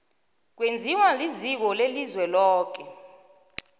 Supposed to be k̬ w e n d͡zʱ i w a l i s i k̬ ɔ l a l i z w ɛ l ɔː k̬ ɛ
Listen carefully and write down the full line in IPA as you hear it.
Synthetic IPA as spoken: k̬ w e n d͡zʱ i w a l i z i k̬ ɔ l e l i z w ɛ l ɔː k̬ ɛ